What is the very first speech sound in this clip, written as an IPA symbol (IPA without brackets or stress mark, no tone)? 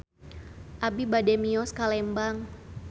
ʔ